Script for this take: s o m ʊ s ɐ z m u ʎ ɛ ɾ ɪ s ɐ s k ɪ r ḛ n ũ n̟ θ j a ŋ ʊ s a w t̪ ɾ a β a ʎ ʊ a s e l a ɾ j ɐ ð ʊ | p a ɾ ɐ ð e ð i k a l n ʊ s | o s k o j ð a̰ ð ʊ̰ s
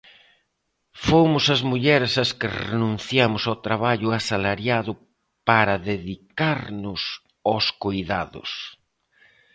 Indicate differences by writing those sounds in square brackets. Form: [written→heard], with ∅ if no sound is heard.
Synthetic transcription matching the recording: [s→f] o m ʊ s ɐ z m u ʎ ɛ ɾ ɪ s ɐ s k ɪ r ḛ n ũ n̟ θ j a [ŋ→m] ʊ s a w t̪ ɾ a β a ʎ ʊ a s [e→a] l a ɾ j [ɐ→a] ð ʊ | p a ɾ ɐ ð e ð i k a [l→ɾ] n ʊ s | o s k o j ð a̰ ð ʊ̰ s